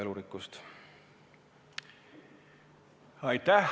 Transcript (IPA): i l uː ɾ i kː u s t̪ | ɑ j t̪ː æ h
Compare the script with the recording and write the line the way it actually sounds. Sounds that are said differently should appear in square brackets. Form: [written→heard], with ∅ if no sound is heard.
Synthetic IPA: [i→e] l [uː→u] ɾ i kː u s t̪ | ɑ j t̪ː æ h